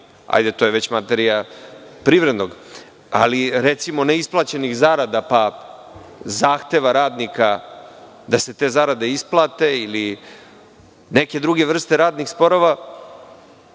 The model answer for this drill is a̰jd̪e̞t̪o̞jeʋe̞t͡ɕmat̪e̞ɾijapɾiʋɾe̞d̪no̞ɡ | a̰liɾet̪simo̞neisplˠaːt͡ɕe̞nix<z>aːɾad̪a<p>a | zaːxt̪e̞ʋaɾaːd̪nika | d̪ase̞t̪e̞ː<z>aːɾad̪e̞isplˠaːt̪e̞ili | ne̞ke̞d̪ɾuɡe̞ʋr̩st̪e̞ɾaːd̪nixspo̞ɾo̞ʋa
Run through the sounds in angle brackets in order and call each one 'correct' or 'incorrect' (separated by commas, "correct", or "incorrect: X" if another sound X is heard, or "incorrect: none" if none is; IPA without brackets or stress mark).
correct, correct, correct